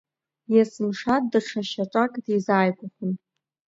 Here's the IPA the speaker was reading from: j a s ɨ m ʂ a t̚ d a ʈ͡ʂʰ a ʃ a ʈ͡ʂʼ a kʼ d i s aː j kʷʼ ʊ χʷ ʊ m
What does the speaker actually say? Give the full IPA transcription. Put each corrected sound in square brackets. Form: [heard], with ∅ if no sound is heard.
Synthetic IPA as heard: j a s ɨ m ʂ a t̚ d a ʈ͡ʂʰ a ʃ a ʈ͡ʂʼ a kʼ d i [z] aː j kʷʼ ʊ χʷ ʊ [n]